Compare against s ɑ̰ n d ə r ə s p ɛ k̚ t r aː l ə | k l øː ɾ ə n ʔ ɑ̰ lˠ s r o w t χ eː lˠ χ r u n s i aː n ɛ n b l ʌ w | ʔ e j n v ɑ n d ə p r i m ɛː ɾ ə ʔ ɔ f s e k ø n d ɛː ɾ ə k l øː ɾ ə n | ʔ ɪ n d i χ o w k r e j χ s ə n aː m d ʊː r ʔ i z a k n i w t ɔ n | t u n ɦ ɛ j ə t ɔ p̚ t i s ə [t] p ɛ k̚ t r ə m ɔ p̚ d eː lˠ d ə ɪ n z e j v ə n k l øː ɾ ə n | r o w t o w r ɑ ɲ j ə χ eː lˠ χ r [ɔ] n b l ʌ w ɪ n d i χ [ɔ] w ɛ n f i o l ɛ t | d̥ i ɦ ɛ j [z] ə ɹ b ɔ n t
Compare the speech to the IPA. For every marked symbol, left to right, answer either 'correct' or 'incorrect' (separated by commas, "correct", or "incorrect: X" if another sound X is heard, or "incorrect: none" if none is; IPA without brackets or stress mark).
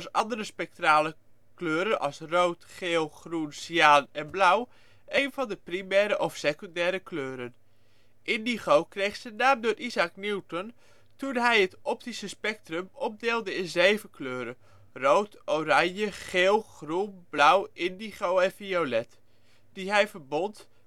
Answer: incorrect: s, incorrect: u, incorrect: o, incorrect: v